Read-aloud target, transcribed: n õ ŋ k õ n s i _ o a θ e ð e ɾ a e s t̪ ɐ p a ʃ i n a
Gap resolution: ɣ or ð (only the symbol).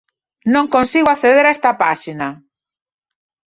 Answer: ɣ